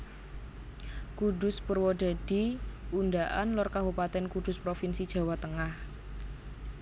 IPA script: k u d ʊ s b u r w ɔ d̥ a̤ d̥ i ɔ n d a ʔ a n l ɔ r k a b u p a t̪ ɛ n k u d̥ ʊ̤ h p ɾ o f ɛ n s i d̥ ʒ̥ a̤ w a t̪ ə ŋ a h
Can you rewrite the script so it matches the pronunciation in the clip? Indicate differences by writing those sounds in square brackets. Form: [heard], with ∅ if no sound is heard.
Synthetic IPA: k u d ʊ s [p] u r w ɔ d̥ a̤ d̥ i [u] n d a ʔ a n l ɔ r k a b u p a t̪ ɛ n k u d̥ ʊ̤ [s] p ɾ o f [i] n s i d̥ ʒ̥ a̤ w a t̪ ə ŋ a h